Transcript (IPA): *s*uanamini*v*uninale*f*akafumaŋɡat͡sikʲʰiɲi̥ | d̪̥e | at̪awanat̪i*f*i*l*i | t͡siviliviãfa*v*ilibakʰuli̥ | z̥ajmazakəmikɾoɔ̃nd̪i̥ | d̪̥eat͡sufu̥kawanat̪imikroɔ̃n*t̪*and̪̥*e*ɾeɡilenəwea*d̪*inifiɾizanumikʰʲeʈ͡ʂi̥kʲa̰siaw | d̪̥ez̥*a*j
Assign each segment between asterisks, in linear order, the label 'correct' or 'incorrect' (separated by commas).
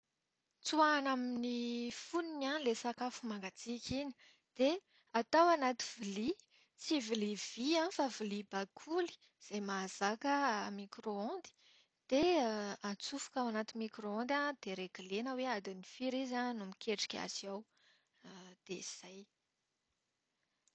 incorrect, incorrect, incorrect, incorrect, correct, correct, incorrect, correct, correct, correct